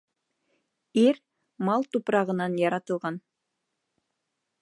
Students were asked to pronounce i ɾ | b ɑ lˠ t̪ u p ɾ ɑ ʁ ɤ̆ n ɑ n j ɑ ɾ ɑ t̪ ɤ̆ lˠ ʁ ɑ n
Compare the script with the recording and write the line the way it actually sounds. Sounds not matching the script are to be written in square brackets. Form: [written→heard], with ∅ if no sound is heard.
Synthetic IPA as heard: i ɾ | [b→m] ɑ lˠ t̪ u p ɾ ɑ ʁ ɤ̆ n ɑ n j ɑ ɾ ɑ t̪ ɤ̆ lˠ ʁ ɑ n